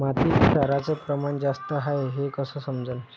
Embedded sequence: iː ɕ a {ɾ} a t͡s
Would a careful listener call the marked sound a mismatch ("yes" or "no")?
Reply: no